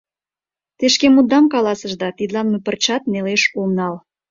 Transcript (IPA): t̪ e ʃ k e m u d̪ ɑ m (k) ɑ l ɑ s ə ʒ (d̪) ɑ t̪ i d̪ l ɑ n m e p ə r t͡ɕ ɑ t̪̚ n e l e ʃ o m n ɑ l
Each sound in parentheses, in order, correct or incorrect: correct, correct

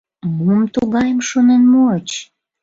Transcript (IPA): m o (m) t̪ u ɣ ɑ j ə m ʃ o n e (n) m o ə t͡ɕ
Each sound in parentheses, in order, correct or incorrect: correct, correct

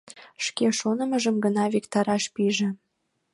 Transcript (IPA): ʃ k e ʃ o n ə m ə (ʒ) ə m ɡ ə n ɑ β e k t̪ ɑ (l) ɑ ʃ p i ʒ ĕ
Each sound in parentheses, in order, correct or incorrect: correct, incorrect: ɾ

